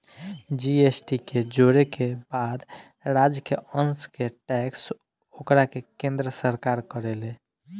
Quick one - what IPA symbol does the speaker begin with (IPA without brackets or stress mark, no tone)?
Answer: d͡ʒ